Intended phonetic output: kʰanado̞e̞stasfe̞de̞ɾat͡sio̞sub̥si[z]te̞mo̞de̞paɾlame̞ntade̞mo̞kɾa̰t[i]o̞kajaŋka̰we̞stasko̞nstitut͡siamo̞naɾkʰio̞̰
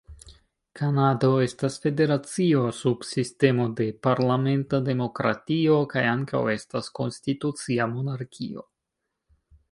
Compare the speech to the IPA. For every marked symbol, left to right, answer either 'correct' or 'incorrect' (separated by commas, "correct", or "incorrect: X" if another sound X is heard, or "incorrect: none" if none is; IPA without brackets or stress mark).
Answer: incorrect: s, correct